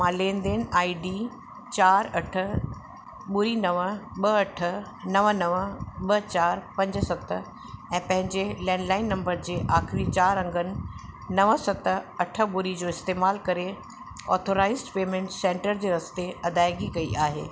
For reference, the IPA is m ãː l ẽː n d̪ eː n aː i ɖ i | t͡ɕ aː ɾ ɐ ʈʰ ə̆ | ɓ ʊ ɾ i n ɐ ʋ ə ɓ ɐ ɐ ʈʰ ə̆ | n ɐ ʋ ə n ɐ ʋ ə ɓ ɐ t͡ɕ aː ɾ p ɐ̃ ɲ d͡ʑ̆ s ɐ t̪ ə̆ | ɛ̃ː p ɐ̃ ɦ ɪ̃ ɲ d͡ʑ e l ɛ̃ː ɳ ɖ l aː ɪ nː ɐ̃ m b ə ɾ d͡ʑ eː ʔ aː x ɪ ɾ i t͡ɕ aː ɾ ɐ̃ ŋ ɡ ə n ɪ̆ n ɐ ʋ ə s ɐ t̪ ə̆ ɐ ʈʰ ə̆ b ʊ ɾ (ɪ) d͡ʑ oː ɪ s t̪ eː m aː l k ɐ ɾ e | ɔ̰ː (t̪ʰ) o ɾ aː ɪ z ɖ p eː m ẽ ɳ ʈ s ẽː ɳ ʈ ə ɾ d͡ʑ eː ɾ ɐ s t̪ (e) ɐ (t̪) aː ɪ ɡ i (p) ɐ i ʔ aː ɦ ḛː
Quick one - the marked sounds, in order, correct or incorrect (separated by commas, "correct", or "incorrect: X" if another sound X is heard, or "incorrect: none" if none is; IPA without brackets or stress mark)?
incorrect: i, correct, correct, incorrect: d̪, incorrect: k